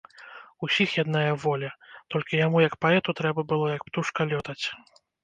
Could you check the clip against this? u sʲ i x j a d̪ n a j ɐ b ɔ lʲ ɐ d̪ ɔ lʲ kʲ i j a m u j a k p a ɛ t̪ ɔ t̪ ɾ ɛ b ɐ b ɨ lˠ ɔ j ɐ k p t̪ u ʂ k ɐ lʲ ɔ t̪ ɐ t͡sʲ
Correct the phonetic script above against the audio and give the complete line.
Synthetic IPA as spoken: u sʲ i x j a d̪ n a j ɐ v ɔ lʲ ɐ t̪ ɔ lʲ kʲ i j a m u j ɐ k p a ɛ t̪ u t̪ ɾ ɛ b ɐ b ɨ lˠ ɔ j ɐ k p t̪ u ʂ k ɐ lʲ ɔ t̪ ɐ t͡sʲ